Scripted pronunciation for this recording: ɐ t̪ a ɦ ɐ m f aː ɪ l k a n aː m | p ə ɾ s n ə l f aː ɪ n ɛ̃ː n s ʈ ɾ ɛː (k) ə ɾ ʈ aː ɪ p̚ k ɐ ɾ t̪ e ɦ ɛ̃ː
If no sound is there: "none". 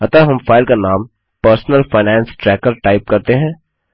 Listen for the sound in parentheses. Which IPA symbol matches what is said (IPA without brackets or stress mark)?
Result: k